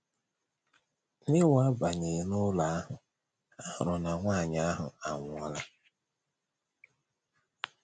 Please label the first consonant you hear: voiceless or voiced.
voiced